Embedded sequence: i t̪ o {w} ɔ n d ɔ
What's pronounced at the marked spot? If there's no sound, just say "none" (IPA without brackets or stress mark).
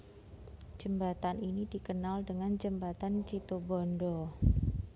b